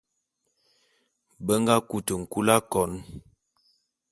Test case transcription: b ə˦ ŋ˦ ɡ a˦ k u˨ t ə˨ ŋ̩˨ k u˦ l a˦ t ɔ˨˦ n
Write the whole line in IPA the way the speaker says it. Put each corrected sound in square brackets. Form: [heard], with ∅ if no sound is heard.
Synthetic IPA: b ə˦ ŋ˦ ɡ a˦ k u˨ t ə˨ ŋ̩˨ k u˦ l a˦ [k] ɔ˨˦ n